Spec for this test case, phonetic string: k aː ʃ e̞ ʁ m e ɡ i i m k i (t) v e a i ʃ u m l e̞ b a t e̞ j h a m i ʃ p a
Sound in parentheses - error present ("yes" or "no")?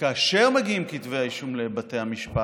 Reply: no